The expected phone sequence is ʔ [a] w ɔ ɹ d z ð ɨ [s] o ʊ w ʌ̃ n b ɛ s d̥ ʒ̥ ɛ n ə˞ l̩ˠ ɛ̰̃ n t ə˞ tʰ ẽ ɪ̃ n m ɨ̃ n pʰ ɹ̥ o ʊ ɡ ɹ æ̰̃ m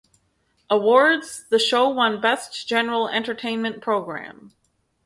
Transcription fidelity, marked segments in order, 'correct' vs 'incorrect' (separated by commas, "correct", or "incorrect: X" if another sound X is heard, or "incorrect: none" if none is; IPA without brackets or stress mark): incorrect: ə, incorrect: ʃ